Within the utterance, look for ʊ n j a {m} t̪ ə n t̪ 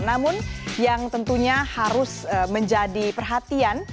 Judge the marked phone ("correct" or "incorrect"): incorrect